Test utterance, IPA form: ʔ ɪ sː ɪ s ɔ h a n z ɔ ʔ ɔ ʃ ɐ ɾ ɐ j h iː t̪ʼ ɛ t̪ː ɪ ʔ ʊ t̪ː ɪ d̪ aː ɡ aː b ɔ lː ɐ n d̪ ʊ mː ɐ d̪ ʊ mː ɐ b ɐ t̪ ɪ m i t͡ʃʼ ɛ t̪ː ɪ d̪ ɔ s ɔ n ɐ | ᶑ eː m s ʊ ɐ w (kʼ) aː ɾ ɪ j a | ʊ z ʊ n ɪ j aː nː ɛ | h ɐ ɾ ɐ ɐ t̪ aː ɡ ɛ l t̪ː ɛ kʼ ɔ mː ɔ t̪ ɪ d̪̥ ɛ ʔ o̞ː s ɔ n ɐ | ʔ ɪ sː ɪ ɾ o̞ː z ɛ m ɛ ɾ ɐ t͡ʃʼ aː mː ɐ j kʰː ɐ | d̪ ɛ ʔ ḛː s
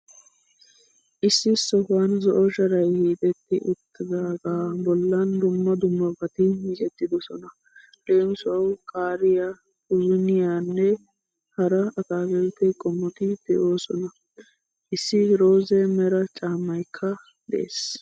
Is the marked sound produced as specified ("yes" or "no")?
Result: yes